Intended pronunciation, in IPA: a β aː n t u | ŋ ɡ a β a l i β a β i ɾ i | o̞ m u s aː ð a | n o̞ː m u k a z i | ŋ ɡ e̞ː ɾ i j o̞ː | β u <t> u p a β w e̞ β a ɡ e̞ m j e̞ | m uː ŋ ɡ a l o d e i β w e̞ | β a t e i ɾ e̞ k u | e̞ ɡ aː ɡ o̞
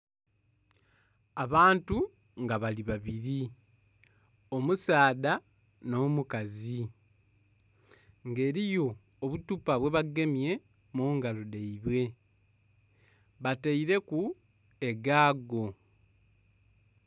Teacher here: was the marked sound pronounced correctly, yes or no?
yes